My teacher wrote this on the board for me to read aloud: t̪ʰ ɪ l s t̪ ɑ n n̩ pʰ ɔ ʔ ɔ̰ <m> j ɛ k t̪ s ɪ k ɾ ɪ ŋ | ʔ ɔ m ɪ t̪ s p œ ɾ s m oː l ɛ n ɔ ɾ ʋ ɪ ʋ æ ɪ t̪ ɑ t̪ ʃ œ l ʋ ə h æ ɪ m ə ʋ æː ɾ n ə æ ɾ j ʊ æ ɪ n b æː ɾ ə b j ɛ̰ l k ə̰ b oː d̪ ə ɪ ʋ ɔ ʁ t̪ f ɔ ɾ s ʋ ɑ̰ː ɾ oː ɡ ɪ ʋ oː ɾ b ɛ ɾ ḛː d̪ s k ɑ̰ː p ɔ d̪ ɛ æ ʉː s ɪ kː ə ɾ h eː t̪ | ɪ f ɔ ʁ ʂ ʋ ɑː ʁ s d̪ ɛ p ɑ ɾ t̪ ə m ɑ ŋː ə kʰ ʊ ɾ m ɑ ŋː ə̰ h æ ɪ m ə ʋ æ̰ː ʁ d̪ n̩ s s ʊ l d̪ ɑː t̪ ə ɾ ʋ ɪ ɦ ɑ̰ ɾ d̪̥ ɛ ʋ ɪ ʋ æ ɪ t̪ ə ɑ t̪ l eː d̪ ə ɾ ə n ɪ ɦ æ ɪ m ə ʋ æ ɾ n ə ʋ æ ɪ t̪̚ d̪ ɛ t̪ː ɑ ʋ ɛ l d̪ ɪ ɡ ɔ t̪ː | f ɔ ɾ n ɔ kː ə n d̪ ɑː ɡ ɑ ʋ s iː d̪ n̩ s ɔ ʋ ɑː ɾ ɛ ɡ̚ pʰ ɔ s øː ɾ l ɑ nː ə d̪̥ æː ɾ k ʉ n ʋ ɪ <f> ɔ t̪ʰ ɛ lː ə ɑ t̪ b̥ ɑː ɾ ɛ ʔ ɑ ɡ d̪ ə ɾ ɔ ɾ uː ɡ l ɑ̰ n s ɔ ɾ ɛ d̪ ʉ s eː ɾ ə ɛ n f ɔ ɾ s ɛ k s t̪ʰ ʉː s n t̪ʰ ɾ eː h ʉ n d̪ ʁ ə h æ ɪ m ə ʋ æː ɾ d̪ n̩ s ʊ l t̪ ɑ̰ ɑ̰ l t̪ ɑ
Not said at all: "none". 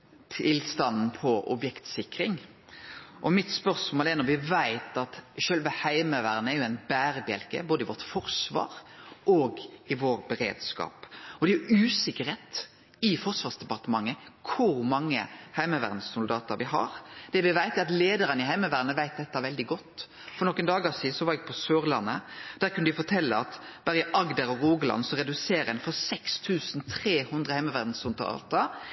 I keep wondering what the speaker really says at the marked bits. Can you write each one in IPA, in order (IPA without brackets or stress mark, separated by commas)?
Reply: b, f